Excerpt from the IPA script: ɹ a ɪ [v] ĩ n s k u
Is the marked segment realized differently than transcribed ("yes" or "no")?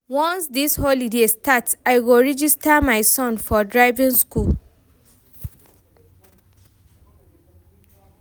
no